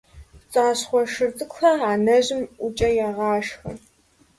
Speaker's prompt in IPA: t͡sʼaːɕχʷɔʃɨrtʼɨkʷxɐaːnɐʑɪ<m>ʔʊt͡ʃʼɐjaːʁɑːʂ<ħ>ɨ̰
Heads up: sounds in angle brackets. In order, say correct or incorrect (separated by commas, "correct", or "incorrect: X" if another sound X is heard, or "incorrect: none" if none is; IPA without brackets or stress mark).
correct, incorrect: x